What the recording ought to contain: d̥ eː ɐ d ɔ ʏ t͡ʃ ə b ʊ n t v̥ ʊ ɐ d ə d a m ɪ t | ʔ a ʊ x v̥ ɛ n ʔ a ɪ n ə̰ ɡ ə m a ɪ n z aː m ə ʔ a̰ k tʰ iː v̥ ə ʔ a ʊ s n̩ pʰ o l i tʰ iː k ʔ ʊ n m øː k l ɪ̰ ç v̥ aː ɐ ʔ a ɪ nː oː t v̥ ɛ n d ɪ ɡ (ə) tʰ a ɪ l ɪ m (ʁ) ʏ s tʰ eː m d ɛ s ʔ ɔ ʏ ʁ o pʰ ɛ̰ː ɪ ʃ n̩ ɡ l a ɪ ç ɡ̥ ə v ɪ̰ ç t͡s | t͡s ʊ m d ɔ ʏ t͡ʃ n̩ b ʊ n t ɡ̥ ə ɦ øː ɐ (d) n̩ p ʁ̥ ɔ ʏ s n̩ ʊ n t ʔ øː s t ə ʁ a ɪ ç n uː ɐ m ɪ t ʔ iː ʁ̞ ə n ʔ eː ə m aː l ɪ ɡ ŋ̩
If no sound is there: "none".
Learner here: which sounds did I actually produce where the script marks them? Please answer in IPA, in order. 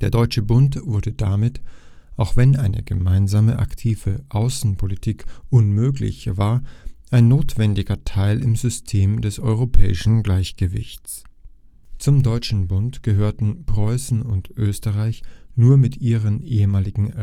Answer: ɐ, z, t

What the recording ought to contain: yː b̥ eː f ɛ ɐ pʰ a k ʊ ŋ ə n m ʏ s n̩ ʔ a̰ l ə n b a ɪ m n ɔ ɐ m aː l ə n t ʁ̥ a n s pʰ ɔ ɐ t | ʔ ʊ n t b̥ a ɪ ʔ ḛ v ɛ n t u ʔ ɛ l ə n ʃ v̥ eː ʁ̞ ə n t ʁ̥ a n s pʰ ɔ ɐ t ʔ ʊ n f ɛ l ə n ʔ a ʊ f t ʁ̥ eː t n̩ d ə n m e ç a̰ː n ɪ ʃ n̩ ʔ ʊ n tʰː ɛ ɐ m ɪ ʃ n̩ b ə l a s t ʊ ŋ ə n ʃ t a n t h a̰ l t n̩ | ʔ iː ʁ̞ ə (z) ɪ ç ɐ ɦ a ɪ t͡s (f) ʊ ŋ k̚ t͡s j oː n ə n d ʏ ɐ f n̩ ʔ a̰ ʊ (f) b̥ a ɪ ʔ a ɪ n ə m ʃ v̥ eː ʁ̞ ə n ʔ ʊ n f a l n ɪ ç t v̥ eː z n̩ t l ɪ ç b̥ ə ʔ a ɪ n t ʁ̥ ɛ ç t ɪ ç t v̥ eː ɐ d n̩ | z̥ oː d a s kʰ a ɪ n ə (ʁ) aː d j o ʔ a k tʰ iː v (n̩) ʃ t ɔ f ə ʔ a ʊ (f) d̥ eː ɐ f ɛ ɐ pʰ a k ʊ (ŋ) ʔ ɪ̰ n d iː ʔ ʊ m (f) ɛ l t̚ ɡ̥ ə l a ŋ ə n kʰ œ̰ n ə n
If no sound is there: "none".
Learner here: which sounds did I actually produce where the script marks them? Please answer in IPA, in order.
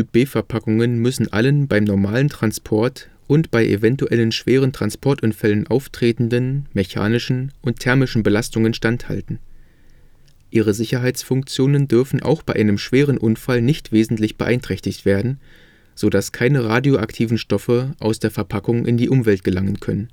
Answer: z, f, x, ʁ, n̩, s, ŋ, v

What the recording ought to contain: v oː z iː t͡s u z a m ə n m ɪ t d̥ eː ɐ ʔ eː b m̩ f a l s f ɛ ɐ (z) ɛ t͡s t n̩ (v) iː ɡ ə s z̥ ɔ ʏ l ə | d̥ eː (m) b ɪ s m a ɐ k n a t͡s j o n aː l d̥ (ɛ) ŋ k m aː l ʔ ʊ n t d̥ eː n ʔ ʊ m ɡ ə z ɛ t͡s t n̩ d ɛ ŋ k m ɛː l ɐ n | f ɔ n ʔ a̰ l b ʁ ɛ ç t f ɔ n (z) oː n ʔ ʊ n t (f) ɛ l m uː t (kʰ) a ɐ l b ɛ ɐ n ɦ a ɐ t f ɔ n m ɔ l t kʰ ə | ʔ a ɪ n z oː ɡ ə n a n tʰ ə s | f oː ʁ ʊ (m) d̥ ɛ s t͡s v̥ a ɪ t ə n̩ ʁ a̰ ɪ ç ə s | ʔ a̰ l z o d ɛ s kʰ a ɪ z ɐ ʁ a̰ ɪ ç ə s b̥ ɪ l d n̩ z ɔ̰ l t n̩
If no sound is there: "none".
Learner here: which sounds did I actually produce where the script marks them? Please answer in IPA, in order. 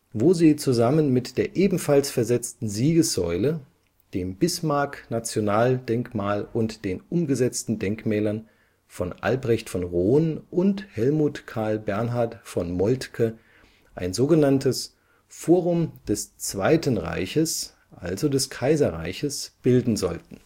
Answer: z, z, m, ɛ, ʁ, h, kʰ, m

